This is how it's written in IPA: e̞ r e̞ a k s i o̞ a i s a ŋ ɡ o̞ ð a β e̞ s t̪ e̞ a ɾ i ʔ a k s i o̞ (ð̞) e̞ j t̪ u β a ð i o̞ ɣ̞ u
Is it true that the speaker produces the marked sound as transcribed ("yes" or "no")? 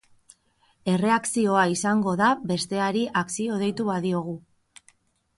yes